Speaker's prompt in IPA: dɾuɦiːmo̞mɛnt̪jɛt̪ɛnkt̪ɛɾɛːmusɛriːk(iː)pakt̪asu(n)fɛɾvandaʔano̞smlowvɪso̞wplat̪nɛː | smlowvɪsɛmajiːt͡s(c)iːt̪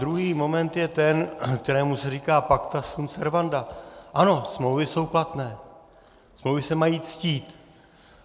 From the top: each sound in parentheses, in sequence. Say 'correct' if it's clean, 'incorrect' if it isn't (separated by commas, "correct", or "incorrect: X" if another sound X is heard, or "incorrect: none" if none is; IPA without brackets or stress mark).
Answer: incorrect: aː, correct, correct